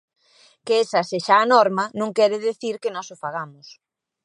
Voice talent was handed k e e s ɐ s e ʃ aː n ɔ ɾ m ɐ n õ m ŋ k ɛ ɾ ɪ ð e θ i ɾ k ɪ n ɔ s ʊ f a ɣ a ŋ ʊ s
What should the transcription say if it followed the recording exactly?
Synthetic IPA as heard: k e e s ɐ s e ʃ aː n ɔ ɾ m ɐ n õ ŋ k ɛ ɾ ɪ ð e θ i ɾ k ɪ n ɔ s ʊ f a ɣ a m ʊ s